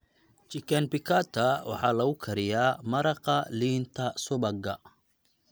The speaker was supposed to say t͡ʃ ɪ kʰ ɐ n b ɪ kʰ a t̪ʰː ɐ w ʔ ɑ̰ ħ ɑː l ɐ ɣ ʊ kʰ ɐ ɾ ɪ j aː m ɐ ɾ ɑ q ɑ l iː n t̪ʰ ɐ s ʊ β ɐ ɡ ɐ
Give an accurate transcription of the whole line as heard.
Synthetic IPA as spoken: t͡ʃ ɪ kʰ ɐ n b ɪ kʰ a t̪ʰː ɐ w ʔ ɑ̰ ħ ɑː l ɐ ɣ ʊ kʰ ɐ ɾ ɪ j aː m ɐ ɾ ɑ q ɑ l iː n t̪ʰ ɐ s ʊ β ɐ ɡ ɐ